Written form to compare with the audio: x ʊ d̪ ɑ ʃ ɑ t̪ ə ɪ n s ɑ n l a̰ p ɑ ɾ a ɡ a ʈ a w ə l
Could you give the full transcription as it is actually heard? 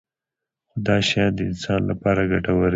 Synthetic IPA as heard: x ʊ d̪ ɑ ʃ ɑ d̪ ə ɪ n s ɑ n l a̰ p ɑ ɾ a ɡ a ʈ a w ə ɾ

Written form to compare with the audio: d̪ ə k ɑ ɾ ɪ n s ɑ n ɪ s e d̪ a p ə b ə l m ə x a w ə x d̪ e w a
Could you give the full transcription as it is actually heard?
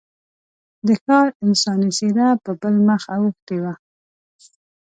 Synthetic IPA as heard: d̪ ə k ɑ ɾ ɪ n s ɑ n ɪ s e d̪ a p ə b ə l m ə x a w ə x t̪ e w a

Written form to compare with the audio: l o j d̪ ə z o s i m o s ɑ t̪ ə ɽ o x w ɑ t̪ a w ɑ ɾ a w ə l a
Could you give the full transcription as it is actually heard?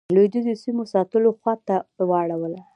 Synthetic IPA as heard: l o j d̪ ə z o s i m o s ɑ t̪ ə l o x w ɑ t̪ a w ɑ ɽ a w ə l a

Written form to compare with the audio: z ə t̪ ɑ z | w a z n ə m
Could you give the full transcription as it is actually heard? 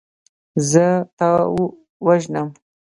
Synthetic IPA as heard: z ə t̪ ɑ | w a ʒ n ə m

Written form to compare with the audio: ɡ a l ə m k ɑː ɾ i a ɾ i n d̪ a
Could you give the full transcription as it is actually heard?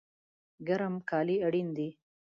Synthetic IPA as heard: ɡ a ɾ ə m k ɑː l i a ɽ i n d̪ i

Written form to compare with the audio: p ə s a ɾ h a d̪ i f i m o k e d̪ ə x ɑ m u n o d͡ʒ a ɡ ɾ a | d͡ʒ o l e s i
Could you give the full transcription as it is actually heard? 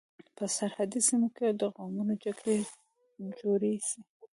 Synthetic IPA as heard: p ə s a ɾ h a d̪ i s i m o k e d̪ ə ɣ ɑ m u n o d͡ʒ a ɡ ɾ e | d͡ʒ o ɾ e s i

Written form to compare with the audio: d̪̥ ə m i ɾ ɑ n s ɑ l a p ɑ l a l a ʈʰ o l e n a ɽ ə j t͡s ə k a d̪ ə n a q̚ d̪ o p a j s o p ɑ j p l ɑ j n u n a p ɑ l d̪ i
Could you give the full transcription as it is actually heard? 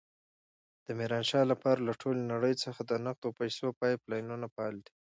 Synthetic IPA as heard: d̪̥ ə m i ɾ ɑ n ʃ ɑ l a p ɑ ɾ a l a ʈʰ o l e n a ɽ ə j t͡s ə x a d̪ ə n a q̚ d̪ o p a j s o p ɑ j p l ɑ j n u n a p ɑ l d̪ i

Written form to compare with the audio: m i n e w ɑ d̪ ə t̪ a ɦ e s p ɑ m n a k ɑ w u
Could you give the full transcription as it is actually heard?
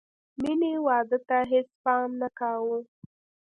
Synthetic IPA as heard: m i n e w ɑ d̪ ə t̪ a ɦ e s p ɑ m n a k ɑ w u

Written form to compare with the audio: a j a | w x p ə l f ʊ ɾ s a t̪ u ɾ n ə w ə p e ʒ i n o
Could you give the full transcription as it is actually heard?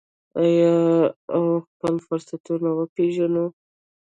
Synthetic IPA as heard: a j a | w x p ə l f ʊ ɾ s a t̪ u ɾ n a w ə p e ʒ a n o

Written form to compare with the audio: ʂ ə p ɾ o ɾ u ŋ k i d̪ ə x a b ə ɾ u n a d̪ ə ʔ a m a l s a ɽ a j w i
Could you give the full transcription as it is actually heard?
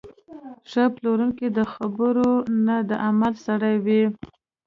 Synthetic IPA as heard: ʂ ə p l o ɾ u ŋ k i d̪ ə x a b ə ɾ o n a d̪ ə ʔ a m a l s a ɽ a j w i

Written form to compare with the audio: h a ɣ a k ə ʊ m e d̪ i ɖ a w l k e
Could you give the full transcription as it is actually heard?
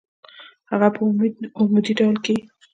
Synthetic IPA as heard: h a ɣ a p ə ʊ m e d̪ i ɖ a w l k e

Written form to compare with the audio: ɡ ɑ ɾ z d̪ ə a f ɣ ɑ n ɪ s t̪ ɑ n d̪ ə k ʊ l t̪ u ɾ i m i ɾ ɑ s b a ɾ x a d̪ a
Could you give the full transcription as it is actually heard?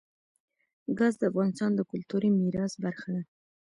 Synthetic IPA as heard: ɡ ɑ z d̪ ə a f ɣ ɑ n ɪ s t̪ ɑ n d̪ ə k ʊ l t̪ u ɾ i m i ɾ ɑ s b a ɾ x a d̪ a

